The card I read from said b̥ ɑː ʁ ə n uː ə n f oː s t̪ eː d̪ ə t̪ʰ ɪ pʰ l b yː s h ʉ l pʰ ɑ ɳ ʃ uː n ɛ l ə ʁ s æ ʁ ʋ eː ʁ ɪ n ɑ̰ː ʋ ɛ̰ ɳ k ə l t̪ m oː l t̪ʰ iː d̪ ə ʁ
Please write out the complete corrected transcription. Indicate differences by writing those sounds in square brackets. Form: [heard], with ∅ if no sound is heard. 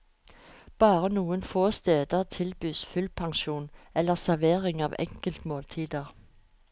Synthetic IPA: b̥ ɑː ʁ ə n uː ə n f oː s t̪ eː d̪ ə t̪ʰ ɪ [∅] l b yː s [f] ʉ l pʰ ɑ [ŋ] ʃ uː n ɛ l ə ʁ s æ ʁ ʋ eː ʁ ɪ [ŋ] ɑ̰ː ʋ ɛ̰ [ŋ] k ə l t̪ m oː l t̪ʰ iː d̪ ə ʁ